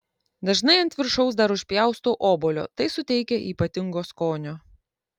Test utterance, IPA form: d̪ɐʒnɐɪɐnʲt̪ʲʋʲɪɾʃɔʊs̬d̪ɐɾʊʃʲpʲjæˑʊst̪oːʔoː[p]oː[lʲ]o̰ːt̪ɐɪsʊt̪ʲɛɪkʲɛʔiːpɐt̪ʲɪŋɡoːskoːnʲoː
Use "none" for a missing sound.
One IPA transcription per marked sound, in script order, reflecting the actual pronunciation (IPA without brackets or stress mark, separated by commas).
b, lʲ